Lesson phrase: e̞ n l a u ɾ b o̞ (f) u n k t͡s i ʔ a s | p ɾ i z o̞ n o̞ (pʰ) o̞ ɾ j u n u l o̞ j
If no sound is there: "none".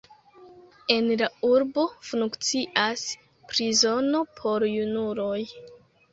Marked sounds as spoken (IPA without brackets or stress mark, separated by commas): f, pʰ